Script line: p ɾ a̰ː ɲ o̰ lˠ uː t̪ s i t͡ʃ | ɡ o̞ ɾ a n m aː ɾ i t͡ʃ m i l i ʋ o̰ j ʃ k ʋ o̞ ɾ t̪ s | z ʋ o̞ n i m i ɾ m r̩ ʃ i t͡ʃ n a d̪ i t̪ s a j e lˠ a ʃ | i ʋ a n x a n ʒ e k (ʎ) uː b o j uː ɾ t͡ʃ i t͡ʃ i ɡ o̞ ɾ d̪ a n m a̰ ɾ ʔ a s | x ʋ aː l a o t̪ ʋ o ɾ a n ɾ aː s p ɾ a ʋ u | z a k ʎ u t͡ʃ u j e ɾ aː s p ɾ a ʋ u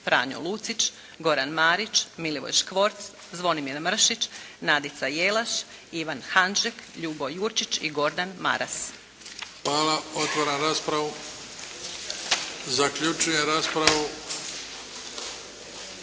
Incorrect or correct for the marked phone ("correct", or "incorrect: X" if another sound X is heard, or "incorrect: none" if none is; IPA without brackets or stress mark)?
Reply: correct